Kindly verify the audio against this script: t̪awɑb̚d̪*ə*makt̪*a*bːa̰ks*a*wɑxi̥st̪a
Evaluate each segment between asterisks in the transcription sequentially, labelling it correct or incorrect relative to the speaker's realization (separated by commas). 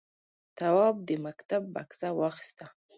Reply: correct, correct, correct